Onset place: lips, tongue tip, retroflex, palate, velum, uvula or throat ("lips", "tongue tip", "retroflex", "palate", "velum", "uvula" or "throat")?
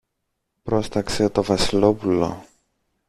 lips